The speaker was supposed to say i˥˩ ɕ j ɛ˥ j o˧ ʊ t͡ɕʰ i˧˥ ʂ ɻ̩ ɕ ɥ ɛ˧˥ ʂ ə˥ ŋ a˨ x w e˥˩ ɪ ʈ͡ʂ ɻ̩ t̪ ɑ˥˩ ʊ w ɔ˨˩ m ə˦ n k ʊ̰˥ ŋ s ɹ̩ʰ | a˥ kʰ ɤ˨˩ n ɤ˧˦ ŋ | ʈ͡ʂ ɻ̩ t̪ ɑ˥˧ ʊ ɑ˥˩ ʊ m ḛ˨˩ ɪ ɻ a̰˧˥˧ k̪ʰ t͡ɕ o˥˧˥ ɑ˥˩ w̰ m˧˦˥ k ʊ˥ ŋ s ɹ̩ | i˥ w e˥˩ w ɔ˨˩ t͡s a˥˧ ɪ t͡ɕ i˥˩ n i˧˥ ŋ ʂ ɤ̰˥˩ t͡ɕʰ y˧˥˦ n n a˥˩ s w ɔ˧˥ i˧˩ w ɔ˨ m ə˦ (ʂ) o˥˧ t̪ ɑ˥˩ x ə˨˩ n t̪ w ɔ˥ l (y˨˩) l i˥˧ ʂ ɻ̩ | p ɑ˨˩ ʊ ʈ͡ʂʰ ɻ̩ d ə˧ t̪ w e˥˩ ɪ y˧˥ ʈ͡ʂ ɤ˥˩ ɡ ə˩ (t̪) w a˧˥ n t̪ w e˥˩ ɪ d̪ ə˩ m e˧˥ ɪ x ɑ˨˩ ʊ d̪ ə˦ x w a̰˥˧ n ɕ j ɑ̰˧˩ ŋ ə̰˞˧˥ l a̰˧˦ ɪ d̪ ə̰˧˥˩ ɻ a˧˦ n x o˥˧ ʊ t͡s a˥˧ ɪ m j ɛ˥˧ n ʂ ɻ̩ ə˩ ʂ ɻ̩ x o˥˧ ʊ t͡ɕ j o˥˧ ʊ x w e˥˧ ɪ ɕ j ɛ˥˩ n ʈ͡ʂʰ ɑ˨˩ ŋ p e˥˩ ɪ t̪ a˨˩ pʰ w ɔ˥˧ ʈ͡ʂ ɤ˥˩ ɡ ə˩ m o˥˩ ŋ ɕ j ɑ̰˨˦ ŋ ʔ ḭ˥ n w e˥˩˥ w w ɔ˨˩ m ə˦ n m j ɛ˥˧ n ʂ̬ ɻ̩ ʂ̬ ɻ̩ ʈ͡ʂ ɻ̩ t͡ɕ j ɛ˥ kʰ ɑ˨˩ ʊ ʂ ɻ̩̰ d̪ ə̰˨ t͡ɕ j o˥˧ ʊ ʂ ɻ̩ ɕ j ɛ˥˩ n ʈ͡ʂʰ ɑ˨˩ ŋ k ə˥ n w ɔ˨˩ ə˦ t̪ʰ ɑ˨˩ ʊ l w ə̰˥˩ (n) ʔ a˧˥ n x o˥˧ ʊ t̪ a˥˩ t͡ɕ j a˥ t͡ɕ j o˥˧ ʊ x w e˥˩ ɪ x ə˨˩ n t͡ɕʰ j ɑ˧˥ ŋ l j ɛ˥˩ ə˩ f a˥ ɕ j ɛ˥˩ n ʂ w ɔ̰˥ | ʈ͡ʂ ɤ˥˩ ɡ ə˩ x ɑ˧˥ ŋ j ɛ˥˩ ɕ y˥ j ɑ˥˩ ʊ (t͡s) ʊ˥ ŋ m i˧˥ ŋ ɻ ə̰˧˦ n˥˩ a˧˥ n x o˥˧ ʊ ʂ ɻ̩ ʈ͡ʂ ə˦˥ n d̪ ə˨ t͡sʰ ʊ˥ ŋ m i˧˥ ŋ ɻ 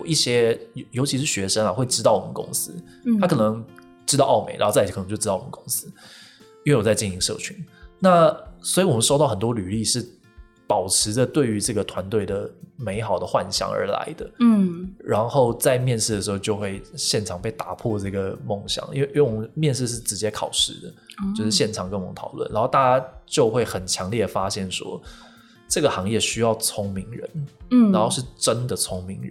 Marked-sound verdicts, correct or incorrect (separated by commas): correct, correct, incorrect, correct, incorrect